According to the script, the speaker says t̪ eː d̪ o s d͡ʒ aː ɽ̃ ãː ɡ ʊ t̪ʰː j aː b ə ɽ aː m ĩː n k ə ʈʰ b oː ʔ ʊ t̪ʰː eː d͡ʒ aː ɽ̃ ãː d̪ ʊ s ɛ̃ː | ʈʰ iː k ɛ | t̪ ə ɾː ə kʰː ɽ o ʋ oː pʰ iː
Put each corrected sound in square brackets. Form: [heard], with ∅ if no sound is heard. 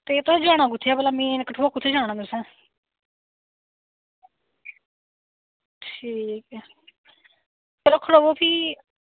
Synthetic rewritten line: t̪ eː [t̪] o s d͡ʒ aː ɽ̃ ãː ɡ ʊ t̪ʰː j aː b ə [l] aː m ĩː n k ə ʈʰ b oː [k] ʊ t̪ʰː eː d͡ʒ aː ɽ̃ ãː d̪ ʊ s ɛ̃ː | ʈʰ iː k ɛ | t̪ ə [ɾ] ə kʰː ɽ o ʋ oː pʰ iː